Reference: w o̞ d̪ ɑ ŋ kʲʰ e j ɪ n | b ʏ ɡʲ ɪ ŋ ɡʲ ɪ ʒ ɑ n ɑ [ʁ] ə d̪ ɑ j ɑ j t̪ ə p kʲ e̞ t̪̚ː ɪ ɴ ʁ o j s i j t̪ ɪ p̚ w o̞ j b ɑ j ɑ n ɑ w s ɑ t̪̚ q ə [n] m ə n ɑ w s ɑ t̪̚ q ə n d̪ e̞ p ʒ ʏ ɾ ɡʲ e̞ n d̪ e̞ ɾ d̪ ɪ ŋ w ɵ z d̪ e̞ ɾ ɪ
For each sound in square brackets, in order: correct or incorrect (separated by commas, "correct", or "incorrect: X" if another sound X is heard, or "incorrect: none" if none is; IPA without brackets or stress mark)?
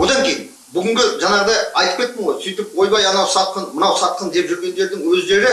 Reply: correct, correct